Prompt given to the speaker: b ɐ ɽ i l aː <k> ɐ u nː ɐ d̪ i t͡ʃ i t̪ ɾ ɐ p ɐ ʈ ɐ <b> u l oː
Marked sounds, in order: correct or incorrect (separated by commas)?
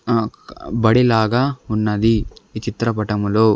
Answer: incorrect, incorrect